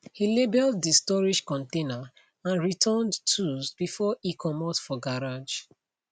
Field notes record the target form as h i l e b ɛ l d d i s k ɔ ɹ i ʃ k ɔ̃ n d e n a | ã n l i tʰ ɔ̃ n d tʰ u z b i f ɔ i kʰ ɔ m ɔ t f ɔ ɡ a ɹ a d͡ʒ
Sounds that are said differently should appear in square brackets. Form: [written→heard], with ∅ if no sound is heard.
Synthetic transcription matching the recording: h i l e b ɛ l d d i s [k→t] ɔ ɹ i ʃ k ɔ̃ n [d→t] e n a | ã n [l→ɹ] i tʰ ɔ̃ n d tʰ u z b i f ɔ i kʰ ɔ m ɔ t f ɔ ɡ a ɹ a d͡ʒ